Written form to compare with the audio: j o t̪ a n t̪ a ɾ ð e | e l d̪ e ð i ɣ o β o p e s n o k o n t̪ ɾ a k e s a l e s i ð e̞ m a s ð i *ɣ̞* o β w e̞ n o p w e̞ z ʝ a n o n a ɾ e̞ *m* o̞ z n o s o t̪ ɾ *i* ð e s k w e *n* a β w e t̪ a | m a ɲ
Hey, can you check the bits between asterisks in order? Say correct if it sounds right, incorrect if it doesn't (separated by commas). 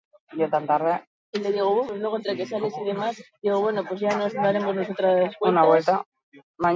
correct, correct, incorrect, correct